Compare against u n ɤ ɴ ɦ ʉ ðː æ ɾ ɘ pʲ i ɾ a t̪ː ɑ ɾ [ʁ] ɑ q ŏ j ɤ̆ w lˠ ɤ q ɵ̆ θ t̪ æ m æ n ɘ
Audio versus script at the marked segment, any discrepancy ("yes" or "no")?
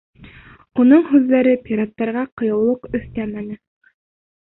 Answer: no